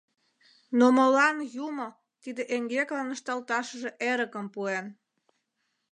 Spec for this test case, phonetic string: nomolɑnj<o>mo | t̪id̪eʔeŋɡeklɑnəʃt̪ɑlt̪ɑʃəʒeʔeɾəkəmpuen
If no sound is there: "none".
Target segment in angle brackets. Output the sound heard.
u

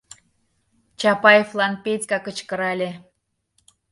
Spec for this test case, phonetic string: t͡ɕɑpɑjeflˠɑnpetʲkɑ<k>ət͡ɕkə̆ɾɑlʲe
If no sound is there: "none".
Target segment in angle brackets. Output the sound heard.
k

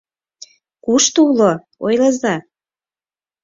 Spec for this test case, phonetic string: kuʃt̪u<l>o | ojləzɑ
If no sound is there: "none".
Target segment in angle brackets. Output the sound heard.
l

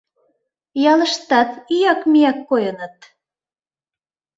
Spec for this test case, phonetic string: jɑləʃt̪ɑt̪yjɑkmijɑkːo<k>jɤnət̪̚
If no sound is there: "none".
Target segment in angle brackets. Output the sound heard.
none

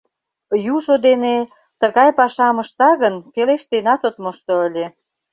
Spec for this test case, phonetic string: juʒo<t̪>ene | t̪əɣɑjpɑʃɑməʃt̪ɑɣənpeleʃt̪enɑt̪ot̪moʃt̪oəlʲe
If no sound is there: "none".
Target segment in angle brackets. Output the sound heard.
d̪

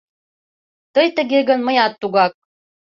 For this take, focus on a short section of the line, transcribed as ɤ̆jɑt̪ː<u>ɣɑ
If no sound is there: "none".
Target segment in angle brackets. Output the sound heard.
u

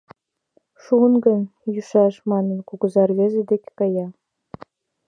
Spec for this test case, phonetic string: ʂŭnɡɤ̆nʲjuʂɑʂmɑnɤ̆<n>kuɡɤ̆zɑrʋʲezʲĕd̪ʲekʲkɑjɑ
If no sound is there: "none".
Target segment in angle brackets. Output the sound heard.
n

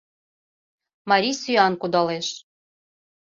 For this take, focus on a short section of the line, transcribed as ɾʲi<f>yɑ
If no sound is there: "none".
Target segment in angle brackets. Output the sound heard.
s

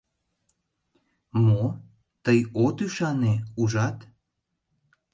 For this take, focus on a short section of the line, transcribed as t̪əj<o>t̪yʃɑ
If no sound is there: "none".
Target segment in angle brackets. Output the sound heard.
o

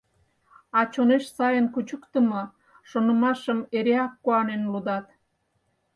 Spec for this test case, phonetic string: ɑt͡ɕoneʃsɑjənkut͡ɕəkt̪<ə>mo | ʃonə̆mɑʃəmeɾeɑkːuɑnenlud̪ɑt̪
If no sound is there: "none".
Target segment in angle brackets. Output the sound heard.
ə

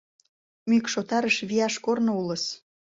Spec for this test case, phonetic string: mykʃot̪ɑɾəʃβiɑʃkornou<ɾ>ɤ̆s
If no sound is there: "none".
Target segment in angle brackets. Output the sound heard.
l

